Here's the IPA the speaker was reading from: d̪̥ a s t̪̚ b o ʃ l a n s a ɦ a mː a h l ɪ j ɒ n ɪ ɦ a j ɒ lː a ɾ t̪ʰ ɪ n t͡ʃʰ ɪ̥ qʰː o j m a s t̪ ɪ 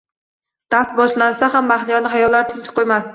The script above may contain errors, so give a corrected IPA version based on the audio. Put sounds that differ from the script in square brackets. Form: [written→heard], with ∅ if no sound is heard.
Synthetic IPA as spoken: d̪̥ a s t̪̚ b [o→ɒ] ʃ l a n s a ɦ a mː a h l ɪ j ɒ n ɪ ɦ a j ɒ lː a ɾ t̪ʰ ɪ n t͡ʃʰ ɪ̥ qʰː o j m a s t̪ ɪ